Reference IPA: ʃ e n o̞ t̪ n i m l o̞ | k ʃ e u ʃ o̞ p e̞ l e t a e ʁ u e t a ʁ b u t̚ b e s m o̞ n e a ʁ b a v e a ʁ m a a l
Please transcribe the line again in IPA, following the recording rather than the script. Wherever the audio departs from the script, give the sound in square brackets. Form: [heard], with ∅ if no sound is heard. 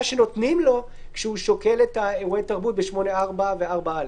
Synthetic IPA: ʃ e n o̞ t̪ n i m l o̞ | k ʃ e u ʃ o̞ [k] e̞ l e t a e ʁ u e t a ʁ b u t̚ b e [ʃ] m o̞ n e a ʁ b a v e a ʁ [b] a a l

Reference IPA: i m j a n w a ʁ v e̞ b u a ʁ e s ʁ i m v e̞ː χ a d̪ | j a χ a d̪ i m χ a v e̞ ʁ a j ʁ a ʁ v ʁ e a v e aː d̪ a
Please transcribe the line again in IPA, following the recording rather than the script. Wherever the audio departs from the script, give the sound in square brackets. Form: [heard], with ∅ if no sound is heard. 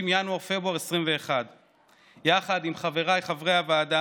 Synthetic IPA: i m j a n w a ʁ [f] e̞ b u a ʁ e s ʁ i m v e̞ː χ a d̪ | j a χ a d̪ i m χ a v e̞ ʁ a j [χ] a [∅] v ʁ e a v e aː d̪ a

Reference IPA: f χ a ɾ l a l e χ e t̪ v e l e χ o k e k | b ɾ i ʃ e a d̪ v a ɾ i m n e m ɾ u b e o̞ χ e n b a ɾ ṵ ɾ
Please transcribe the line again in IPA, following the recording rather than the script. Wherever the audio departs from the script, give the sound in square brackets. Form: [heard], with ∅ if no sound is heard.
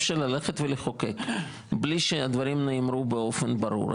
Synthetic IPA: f [ʃ] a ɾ l a l e χ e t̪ v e l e χ o k e k | b [l] i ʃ e a d̪ v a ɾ i m n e m ɾ u b e o̞ [f] e n b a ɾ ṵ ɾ

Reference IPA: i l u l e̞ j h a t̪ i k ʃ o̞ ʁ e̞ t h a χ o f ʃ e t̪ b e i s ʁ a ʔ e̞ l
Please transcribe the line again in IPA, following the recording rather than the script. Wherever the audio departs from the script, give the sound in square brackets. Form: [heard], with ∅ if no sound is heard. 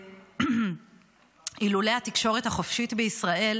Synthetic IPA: i l u l e̞ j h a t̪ i k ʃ o̞ ʁ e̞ t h a χ o f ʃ [i] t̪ b e i s ʁ a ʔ e̞ l

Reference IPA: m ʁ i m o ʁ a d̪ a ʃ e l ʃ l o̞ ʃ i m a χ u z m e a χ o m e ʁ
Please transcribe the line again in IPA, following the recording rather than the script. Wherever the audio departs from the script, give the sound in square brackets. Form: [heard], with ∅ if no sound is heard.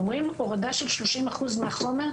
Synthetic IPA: m ʁ i m o ʁ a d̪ a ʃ e l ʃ l o̞ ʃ i m a χ u z m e a χ o m e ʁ

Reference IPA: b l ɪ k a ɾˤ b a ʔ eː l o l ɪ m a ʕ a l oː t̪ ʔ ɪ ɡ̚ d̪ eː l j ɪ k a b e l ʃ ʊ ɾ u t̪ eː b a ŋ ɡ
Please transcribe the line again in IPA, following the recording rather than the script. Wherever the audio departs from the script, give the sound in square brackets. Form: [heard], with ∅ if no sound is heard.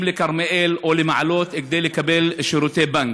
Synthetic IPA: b l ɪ k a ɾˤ [m] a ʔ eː l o l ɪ m a ʕ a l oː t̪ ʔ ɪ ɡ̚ d̪ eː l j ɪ k a b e l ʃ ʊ ɾ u t̪ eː b a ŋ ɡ

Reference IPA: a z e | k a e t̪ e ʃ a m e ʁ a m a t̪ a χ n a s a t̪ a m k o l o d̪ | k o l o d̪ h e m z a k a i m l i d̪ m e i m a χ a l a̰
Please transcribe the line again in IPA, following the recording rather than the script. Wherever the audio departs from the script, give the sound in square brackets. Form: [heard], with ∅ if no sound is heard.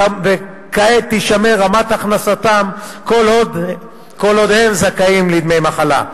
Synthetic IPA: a [v] e | k a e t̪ [i] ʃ a m e ʁ a m a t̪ a χ n a s a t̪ a m k o l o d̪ | k o l o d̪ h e m z a k a i m l i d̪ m e [j] m a χ a l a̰

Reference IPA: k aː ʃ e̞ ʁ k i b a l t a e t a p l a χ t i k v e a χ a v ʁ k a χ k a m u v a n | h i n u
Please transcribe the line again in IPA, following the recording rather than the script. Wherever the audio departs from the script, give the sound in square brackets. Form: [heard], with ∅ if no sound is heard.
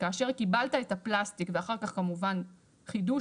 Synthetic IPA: k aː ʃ e̞ ʁ k i b a l t a e t a p l a [s] t i k v e a χ a [∅] ʁ k a χ k a m u v a n | [χ] i [d] u

